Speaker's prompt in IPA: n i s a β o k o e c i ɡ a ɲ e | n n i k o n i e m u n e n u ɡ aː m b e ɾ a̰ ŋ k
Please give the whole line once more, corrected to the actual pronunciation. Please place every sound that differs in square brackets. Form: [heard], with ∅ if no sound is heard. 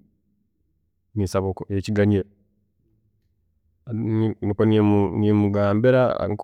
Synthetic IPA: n i s a β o k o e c i ɡ a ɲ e | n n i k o n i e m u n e [m] u ɡ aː m b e ɾ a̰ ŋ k